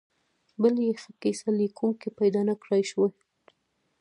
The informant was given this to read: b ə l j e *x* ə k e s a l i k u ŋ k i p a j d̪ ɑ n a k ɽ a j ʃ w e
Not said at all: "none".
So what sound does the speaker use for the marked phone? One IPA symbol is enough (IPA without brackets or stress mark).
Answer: x